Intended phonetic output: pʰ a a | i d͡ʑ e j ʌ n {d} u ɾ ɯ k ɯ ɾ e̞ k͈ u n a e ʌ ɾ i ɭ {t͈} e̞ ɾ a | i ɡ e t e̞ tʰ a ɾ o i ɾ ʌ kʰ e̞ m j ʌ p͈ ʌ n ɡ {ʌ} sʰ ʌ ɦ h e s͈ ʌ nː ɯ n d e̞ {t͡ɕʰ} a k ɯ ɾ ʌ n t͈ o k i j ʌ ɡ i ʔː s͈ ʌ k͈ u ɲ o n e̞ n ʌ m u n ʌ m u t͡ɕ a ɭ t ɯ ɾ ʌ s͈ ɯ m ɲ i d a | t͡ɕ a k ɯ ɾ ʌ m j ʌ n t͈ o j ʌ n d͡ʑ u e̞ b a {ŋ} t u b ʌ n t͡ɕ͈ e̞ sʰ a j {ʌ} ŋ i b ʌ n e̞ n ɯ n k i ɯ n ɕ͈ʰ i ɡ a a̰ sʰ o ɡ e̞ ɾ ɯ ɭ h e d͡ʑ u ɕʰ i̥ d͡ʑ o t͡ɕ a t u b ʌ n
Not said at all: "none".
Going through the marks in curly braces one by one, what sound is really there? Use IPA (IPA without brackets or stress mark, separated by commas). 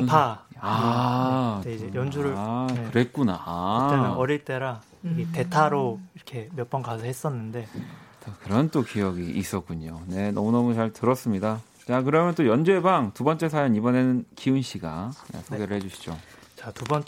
d͡ʑ, t͈, a, t͡ɕ, ŋ, ʌ